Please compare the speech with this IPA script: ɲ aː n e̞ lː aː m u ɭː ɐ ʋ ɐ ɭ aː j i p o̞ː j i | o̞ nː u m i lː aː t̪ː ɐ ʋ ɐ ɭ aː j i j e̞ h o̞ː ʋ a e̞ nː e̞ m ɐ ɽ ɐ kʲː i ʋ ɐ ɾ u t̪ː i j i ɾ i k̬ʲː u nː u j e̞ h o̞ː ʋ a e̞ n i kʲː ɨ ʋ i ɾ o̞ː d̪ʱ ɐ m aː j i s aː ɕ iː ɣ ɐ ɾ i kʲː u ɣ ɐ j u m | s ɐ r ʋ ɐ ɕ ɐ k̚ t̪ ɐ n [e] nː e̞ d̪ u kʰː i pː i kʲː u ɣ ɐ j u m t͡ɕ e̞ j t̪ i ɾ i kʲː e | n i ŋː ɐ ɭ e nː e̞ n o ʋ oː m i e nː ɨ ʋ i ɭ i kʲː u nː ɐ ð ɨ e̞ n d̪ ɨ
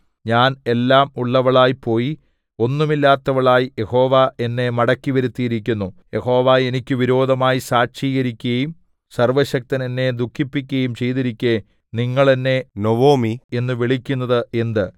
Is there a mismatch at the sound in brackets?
no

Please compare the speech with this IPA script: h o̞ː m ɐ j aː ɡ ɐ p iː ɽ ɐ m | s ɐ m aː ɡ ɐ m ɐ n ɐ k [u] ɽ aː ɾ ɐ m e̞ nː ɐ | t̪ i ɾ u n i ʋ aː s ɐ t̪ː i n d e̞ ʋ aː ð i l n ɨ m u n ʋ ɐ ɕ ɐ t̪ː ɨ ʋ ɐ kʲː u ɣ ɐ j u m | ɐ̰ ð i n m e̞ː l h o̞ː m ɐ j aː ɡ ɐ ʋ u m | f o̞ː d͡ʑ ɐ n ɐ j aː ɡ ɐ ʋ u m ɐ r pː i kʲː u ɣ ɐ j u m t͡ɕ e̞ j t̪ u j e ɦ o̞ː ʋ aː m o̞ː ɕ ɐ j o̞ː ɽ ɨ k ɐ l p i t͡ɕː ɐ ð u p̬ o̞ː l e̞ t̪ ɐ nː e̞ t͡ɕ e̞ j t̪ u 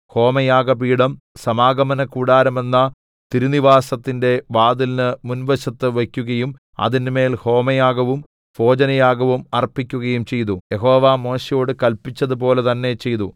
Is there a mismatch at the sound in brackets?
yes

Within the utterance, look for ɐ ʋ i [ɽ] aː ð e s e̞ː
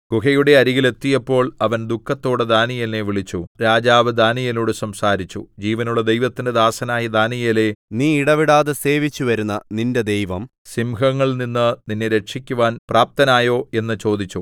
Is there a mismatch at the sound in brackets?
no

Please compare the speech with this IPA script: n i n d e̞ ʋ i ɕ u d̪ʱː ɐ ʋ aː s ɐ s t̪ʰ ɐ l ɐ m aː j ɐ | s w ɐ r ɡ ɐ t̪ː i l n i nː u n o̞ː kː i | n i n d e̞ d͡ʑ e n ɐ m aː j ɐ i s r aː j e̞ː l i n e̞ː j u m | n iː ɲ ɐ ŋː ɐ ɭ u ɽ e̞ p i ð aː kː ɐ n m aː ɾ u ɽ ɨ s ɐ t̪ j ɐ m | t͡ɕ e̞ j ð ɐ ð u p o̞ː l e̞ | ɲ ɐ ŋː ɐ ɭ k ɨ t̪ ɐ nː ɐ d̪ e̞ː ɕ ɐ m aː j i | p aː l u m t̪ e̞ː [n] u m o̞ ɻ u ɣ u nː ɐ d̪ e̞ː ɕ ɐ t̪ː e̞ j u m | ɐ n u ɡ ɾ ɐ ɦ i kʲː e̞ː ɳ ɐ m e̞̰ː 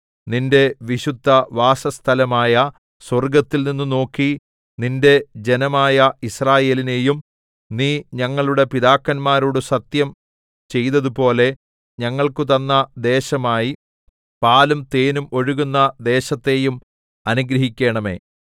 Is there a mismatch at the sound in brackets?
no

